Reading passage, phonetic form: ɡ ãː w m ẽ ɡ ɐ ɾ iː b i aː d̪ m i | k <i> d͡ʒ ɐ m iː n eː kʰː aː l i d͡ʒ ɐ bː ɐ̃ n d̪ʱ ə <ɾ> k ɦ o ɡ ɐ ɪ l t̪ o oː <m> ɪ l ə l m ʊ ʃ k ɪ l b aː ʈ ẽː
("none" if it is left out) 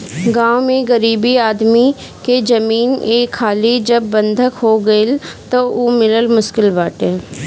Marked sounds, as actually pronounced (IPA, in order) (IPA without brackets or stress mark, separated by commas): e, none, m